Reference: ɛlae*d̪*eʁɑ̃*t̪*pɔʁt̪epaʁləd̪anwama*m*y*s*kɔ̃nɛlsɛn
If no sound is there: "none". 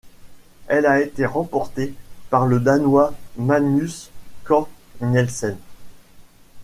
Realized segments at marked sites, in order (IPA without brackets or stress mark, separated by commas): t̪, none, n, s